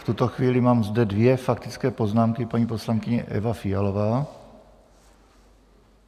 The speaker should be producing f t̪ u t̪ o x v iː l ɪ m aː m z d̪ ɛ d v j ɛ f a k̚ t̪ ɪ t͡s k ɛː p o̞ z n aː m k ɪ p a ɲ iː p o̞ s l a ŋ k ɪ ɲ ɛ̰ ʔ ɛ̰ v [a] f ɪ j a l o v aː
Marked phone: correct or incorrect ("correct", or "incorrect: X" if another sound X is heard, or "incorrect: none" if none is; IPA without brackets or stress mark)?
correct